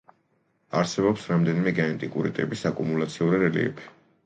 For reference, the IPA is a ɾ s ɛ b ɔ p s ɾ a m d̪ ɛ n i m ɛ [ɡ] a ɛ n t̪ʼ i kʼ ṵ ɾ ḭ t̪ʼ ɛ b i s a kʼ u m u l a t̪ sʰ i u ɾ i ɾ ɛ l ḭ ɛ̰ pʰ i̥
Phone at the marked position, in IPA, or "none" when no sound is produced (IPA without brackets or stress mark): ɡ